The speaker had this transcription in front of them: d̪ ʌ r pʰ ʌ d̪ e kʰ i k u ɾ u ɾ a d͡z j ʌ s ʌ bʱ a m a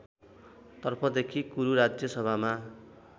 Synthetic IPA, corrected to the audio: t̪ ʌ r pʰ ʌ d̪ e kʰ i k u ɾ u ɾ a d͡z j ʌ s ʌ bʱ a m a